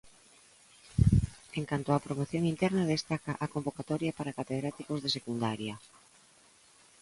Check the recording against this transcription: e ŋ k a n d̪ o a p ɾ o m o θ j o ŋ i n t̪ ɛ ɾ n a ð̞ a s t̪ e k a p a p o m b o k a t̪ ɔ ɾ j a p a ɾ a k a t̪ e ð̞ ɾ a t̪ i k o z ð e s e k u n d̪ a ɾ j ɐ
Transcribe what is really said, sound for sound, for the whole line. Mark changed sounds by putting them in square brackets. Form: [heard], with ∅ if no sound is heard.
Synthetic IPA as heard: e ŋ k a n [t̪] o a p ɾ o m o θ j o ŋ i n t̪ ɛ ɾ n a ð̞ [e] s t̪ [a] k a [ʔ] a [k] o m b o k a t̪ ɔ ɾ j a p a ɾ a k a t̪ e ð̞ ɾ a t̪ i k o z ð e s e k u n d̪ a ɾ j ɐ